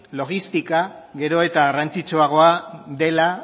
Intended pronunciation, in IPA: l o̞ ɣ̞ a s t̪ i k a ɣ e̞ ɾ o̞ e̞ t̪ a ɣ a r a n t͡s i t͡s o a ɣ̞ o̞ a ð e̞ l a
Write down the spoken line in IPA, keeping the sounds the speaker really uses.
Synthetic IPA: l o̞ ɣ̞ i s t̪ i k a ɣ e̞ ɾ o̞ e̞ t̪ a ɣ a r a n t͡s i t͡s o a ɣ̞ o̞ a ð e̞ l a